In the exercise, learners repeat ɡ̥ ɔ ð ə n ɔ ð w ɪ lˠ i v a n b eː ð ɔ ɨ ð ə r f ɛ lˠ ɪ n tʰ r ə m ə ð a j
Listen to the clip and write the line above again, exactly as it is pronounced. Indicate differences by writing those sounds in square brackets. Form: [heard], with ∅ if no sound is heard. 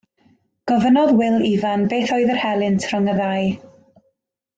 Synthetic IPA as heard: ɡ̥ ɔ [v] ə n ɔ ð w ɪ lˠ i v a n b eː [θ] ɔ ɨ ð ə r [h] ɛ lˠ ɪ n tʰ r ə [ŋ] ə ð a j